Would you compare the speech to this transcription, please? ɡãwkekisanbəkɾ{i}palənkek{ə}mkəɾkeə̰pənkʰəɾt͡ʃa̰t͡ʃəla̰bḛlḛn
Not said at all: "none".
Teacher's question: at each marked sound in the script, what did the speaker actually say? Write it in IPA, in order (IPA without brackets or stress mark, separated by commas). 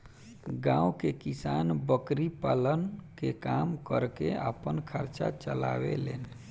i, a